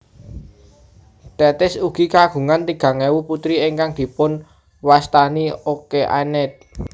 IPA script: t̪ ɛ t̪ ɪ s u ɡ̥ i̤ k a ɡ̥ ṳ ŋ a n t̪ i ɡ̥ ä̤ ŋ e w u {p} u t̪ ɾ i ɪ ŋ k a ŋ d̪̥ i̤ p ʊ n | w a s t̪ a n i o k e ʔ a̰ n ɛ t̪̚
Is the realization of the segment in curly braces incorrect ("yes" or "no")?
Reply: no